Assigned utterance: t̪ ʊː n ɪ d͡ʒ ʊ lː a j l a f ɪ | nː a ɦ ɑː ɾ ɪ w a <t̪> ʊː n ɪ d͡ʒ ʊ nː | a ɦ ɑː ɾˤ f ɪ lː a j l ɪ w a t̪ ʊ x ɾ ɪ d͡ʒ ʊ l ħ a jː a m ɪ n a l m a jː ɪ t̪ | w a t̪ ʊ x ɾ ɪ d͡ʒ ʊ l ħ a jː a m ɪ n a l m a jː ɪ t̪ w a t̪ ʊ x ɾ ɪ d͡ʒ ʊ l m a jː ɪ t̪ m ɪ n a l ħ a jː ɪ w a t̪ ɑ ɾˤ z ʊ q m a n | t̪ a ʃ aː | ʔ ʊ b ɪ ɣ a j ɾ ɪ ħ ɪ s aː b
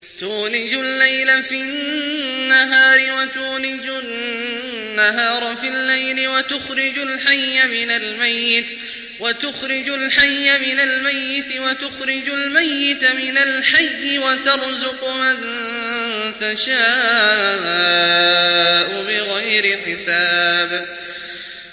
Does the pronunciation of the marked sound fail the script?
no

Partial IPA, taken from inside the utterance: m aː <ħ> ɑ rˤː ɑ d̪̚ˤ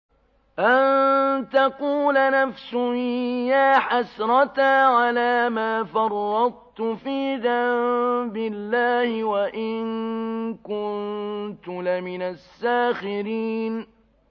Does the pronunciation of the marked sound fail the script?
yes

